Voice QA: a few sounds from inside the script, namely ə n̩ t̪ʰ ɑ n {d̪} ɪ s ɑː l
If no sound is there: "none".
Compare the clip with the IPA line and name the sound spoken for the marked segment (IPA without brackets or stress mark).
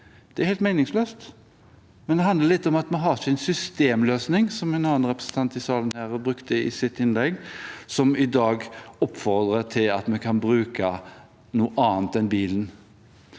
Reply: t̪